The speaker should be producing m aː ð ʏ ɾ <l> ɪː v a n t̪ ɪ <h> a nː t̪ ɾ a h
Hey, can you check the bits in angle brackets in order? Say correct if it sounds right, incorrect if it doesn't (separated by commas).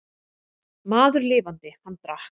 correct, correct